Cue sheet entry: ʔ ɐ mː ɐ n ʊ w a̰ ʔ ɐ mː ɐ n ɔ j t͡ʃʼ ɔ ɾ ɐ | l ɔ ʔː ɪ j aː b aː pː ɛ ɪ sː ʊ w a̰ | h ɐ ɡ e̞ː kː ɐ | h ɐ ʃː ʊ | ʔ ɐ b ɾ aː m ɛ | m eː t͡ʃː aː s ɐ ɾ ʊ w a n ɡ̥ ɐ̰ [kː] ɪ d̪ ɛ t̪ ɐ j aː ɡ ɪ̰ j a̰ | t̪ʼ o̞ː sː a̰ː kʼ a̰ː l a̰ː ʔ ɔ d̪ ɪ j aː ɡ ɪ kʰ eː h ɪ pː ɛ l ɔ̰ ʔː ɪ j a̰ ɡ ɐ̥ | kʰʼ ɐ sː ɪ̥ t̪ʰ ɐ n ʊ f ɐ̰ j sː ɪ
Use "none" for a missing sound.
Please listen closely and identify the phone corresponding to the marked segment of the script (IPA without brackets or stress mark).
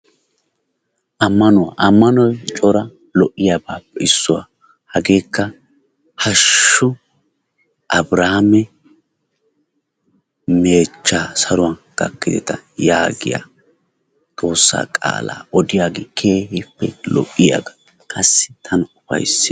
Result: kː